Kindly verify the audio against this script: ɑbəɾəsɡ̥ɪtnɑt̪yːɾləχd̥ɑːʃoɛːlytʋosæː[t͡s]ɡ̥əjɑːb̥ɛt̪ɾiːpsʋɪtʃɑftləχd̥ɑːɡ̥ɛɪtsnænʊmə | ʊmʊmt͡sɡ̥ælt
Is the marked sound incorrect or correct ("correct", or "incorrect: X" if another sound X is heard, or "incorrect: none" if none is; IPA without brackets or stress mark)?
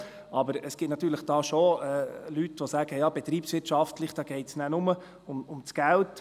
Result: incorrect: none